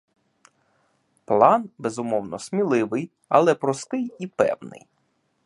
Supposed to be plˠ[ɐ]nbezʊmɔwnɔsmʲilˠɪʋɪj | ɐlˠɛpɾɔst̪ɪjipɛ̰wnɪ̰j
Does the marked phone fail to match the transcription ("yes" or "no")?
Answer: yes